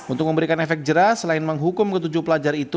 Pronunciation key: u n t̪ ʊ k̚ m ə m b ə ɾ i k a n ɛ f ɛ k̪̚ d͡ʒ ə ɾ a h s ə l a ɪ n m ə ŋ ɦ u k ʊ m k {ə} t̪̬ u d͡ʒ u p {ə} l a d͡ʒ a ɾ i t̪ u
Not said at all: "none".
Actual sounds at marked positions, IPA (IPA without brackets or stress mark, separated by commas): ə, ə